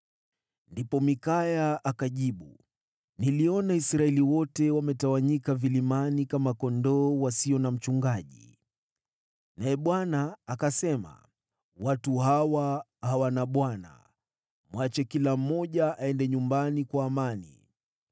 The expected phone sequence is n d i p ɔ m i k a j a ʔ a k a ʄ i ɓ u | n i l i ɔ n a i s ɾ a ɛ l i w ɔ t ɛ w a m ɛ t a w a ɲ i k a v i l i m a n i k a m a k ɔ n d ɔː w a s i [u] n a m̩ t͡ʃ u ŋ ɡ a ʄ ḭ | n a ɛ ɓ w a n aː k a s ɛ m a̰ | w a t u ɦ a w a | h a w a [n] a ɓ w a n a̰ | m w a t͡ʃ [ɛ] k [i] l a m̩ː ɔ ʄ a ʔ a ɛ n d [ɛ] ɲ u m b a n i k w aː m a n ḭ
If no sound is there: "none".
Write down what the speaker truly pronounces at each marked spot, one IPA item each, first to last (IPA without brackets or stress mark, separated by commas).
ɔ, n, ɛ, i, ɛ